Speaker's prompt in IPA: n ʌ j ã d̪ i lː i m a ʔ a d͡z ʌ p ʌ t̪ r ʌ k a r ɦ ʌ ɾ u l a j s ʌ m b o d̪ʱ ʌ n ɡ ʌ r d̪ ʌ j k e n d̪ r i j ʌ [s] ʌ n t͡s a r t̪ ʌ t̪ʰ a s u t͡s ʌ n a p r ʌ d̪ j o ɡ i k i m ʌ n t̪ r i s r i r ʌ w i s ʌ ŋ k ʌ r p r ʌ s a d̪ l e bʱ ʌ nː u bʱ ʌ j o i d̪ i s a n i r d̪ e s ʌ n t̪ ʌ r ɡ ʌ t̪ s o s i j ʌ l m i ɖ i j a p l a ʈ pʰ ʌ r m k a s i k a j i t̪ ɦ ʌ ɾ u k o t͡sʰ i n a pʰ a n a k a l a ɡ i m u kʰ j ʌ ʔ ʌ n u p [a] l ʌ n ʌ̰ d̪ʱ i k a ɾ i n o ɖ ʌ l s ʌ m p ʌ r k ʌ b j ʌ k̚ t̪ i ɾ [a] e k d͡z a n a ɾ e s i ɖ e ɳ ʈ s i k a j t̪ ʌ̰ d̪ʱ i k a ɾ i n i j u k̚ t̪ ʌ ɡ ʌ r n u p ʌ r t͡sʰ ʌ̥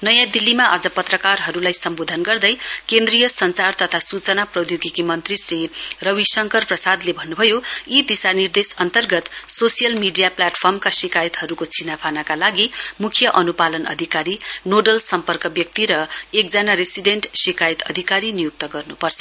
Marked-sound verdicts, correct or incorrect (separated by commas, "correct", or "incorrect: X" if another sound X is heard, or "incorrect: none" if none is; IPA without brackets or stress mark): correct, correct, incorrect: ʌ